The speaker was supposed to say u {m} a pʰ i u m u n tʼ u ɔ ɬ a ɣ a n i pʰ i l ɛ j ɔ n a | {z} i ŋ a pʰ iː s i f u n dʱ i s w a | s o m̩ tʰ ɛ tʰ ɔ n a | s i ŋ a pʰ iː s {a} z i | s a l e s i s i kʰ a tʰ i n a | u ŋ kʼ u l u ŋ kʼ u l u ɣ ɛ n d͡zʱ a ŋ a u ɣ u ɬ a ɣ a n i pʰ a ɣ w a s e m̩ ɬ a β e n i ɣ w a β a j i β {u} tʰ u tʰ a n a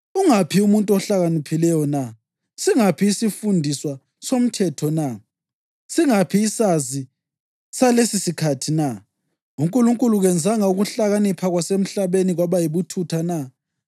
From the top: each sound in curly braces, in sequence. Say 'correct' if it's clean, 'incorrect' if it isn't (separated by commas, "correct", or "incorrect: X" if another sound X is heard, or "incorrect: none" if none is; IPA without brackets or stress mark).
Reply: incorrect: ŋ, incorrect: s, correct, correct